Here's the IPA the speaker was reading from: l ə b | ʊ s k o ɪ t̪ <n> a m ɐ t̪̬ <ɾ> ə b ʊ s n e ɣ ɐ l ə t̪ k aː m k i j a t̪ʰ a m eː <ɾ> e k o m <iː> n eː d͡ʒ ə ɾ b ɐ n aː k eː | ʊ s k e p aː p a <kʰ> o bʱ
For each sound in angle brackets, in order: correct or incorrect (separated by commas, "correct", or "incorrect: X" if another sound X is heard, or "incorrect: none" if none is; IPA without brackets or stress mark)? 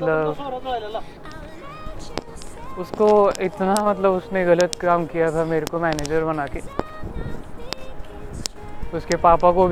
correct, incorrect: l, correct, incorrect: ɛː, incorrect: k